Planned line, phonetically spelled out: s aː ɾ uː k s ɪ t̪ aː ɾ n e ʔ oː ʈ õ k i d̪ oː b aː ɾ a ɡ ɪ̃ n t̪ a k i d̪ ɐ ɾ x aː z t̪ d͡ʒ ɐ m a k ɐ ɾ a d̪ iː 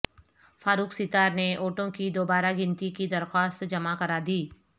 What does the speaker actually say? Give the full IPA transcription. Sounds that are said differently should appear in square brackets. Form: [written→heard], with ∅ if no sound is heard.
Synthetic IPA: [s→f] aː ɾ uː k s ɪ t̪ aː ɾ n e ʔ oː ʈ õ k i d̪ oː b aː ɾ a ɡ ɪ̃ n t̪ [a→i] k i d̪ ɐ ɾ x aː [z→s] t̪ d͡ʒ ɐ m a k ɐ ɾ a d̪ iː

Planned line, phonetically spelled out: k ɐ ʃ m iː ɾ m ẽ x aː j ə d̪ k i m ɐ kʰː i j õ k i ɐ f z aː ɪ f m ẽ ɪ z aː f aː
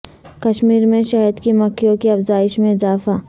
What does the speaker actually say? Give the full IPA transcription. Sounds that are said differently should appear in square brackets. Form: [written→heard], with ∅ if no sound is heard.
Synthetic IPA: k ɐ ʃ m iː ɾ m ẽ [x→ʃ] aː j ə d̪ k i m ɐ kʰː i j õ k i ɐ f z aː ɪ [f→ʃ] m ẽ ɪ z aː f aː

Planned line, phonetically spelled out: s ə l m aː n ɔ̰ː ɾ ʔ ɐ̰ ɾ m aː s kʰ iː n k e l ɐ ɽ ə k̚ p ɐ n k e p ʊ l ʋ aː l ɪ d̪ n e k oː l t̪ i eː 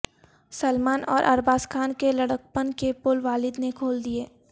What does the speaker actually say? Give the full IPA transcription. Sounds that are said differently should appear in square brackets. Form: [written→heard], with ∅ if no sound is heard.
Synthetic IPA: s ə l m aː n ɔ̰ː ɾ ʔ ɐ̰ ɾ [m→b] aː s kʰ [iː→aː] n k e l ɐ ɽ ə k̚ p [ɐ→ə] n k e p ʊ l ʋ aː l ɪ d̪ n e [k→kʰ] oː l [t̪→d̪] i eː

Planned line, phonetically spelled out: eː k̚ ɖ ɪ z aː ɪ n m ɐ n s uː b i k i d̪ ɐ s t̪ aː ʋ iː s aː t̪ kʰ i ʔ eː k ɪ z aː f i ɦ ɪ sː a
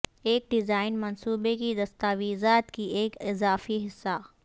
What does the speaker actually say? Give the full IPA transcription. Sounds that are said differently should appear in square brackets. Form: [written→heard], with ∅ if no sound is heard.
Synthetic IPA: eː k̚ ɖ ɪ z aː ɪ n m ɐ n s uː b [i→e] k i d̪ ɐ s t̪ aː ʋ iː [s→z] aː t̪ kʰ i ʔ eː k ɪ z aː f i ɦ ɪ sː a

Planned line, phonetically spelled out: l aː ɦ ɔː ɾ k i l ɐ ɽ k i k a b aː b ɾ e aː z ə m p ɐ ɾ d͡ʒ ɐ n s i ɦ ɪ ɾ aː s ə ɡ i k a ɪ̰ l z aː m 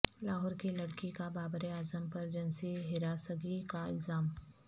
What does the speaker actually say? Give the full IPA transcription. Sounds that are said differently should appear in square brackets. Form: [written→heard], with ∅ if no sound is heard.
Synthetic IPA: l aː ɦ ɔː ɾ k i l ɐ ɽ k i k a b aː b ɾ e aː z ə m p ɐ ɾ d͡ʒ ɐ n s i ɦ ɪ ɾ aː s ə ɡ i k a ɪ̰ l z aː m

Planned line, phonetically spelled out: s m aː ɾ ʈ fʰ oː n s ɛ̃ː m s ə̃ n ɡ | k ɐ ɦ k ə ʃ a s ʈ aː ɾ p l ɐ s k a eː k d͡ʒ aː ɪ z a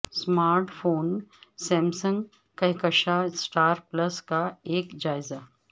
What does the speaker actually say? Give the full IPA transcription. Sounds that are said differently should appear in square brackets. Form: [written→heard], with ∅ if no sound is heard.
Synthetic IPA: s m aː ɾ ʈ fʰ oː n s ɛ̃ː m s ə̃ [n→ŋ] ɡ | k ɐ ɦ k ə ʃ a s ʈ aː ɾ p l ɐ s k a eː k d͡ʒ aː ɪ z a

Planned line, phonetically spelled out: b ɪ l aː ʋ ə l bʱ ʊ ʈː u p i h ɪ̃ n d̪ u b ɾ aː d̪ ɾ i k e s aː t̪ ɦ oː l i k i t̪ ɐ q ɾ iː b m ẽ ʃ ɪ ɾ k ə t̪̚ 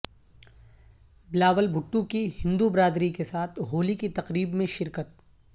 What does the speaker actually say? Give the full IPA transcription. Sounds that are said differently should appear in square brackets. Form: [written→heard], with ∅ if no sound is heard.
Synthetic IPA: b ɪ l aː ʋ ə l bʱ ʊ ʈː u [p→k] i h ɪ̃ n d̪ u b ɾ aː d̪ ɾ i k e s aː [t̪→t̪ʰ] ɦ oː l i k i t̪ ɐ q ɾ iː b m ẽ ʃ ɪ ɾ k ə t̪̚

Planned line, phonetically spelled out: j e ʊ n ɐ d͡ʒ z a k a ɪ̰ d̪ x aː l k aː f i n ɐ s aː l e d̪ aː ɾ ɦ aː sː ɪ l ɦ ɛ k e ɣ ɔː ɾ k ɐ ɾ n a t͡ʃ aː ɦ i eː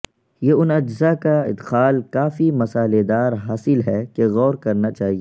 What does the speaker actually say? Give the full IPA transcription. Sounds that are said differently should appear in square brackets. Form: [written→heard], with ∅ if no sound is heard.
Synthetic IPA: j e ʊ n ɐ d͡ʒ z a k a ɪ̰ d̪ x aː l k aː f i [n→m] ɐ s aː l e d̪ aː ɾ ɦ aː [sː→s] ɪ l ɦ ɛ k e ɣ ɔː ɾ k ɐ ɾ n a t͡ʃ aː ɦ i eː

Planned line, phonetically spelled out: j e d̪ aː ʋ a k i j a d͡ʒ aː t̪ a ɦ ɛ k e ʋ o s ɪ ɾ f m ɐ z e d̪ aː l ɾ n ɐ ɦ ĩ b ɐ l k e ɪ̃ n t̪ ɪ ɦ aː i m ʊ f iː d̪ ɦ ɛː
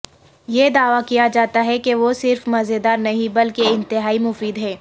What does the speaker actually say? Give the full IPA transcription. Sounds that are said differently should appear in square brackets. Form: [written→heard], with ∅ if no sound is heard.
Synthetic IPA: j e d̪ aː ʋ a k i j a d͡ʒ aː t̪ a ɦ ɛ k e ʋ o s ɪ ɾ f m ɐ z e d̪ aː [l→∅] ɾ n ɐ ɦ ĩ b ɐ l k e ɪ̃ n t̪ ɪ ɦ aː i m ʊ f iː d̪ ɦ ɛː

